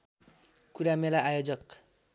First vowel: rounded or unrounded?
rounded